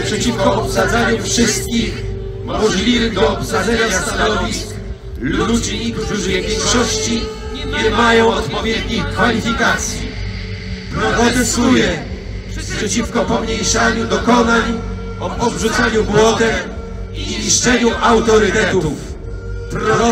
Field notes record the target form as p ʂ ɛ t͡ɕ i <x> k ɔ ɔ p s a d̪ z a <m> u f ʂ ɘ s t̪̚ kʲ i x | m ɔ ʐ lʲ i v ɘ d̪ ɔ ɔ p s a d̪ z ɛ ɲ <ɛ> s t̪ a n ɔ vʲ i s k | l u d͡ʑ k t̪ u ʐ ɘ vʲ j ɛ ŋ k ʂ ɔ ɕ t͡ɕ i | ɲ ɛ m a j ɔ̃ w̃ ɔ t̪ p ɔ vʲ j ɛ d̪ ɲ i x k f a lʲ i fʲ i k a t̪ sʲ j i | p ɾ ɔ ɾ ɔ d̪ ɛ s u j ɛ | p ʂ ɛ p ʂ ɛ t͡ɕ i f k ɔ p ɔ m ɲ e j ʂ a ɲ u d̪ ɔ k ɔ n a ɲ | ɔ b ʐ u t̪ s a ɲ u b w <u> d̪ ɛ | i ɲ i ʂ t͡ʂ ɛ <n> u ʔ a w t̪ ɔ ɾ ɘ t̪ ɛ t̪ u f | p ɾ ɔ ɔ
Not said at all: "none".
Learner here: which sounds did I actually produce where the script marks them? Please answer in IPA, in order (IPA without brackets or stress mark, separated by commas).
f, ɲ, a, ɔ, ɲ